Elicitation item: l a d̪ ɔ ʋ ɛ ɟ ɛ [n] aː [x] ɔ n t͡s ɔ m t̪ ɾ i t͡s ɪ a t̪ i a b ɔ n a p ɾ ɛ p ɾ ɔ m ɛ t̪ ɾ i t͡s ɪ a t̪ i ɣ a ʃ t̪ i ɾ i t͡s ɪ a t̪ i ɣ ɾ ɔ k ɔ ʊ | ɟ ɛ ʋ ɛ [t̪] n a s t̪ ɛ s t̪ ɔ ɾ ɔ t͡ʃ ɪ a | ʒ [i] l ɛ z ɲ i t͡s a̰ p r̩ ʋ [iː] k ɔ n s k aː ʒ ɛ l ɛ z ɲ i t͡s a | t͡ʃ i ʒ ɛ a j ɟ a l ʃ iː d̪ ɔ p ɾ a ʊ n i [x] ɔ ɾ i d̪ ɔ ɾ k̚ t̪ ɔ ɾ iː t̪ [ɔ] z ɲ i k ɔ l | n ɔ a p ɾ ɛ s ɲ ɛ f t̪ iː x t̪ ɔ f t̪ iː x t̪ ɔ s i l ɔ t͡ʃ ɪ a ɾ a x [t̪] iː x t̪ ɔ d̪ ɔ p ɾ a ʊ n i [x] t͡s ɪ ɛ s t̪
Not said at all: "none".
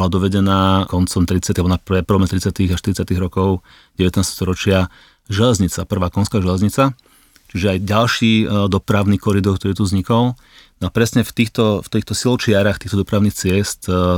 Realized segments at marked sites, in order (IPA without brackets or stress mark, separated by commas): n, k, t̪, ɛ, aː, k, u, t̪, x